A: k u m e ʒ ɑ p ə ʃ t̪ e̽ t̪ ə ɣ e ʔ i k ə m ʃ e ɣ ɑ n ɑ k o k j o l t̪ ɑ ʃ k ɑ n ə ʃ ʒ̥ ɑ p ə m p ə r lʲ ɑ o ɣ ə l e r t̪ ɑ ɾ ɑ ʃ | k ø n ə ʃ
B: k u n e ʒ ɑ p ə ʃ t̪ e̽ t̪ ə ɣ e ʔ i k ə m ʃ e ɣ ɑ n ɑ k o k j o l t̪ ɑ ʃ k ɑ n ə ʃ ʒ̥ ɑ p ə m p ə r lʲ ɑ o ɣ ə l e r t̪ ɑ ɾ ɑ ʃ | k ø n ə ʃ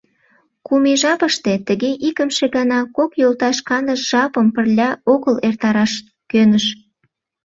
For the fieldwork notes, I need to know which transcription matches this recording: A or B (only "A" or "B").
A